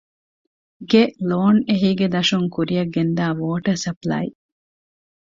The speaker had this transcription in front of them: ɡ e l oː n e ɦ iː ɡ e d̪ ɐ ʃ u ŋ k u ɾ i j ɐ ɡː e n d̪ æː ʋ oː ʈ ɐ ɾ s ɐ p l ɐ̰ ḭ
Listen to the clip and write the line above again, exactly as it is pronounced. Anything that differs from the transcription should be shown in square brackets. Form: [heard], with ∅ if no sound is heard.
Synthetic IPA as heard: ɡ e l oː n e ɦ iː ɡ e d̪ ɐ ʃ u ŋ k u ɾ i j ɐ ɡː e n d̪ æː ʋ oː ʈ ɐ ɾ s ɐ p l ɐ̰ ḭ